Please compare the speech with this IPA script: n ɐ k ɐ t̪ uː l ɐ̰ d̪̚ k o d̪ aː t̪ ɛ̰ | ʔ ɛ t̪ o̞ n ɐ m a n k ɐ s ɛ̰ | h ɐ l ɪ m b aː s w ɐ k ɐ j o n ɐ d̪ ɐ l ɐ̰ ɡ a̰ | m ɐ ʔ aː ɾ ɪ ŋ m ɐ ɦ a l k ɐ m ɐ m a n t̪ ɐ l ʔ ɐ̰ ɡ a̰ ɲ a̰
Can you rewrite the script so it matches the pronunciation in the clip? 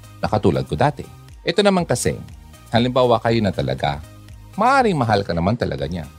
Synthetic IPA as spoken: n ɐ k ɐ t̪ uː l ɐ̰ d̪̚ k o d̪ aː t̪ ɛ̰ | ʔ ɛ t̪ o̞ n ɐ m a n k ɐ s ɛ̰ | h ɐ l ɪ m b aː w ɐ k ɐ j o n ɐ t̪ ɐ l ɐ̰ ɡ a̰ | m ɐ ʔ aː ɾ ɪ ŋ m ɐ ɦ a l k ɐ n ɐ m a n t̪ ɐ l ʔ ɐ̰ ɡ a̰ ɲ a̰